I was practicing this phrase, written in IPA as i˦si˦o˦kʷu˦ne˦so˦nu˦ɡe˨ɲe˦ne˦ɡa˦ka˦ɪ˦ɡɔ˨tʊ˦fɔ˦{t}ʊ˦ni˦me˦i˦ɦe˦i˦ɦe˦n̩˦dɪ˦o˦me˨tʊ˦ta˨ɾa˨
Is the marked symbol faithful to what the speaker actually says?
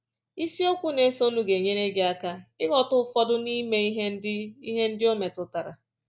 no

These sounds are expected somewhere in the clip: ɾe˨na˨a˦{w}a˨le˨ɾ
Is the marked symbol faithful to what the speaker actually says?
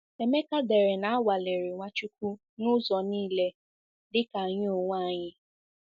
yes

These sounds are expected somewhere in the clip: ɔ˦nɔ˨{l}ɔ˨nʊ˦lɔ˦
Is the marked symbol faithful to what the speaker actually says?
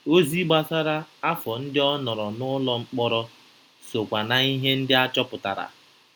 no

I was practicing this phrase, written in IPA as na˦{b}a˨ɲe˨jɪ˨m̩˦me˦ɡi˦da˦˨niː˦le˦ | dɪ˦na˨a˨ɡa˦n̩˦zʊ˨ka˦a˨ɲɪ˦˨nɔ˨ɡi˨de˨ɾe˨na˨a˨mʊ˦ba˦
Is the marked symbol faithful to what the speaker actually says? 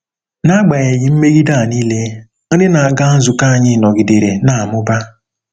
no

